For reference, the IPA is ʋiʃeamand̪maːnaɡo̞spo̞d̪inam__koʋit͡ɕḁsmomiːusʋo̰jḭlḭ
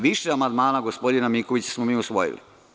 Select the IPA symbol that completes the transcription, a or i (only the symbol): i